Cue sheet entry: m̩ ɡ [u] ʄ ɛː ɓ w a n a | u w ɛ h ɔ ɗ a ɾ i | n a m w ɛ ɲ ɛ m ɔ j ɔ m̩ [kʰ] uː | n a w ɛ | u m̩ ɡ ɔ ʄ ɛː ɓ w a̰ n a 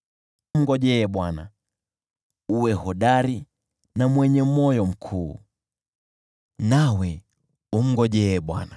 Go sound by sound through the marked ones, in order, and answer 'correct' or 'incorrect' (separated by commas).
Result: incorrect, correct